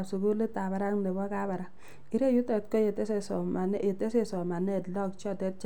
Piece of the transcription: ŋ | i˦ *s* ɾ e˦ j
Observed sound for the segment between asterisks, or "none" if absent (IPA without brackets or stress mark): none